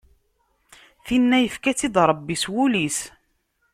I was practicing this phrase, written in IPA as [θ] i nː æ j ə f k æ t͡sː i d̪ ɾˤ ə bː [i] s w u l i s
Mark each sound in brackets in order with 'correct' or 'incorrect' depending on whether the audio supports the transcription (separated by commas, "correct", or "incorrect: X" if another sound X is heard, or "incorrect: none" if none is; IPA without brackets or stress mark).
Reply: correct, correct